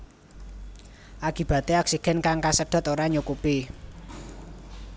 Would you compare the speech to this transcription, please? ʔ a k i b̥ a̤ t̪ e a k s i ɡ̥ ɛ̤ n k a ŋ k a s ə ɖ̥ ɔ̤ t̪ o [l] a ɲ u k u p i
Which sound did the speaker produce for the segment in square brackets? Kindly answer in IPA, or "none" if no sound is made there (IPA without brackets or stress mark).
ɾ